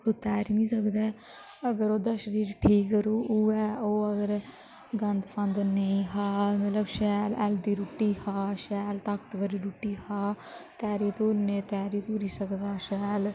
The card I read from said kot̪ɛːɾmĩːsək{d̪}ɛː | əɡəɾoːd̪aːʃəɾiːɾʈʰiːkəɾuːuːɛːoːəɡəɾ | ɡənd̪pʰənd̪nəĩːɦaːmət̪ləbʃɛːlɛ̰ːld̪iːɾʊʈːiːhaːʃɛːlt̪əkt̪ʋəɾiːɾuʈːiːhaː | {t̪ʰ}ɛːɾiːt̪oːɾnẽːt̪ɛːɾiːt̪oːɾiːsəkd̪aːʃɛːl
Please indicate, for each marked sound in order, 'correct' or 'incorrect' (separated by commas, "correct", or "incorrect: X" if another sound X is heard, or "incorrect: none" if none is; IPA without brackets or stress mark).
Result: correct, incorrect: t̪